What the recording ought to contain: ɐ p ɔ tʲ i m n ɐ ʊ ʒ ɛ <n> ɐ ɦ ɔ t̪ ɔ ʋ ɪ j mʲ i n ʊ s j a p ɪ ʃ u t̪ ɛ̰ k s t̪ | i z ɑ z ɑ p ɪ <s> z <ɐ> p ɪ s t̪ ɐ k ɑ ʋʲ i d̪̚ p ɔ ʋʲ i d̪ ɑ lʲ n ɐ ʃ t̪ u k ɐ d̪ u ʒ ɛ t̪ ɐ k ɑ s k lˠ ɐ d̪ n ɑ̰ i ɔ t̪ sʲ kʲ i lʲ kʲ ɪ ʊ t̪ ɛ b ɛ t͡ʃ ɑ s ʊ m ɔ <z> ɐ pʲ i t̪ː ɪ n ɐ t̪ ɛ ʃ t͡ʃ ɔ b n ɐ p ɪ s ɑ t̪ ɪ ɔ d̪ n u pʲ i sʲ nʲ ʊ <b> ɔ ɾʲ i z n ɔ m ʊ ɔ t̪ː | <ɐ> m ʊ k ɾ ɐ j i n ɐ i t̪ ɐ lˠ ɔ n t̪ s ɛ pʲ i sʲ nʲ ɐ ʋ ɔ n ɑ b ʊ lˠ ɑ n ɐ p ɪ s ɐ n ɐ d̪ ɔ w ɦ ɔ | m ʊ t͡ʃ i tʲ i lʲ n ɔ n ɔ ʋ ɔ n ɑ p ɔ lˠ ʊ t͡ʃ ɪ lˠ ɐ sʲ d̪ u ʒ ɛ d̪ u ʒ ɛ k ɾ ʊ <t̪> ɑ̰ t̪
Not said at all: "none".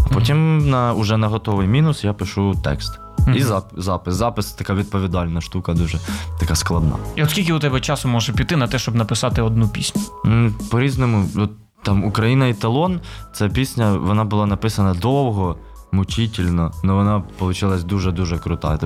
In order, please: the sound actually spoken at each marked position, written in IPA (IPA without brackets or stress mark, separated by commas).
n, s, ɑ, ʒ, p, ɑ, t̪